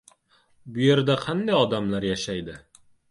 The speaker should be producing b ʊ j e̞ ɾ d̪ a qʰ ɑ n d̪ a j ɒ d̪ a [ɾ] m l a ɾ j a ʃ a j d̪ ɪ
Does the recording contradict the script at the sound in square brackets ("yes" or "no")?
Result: yes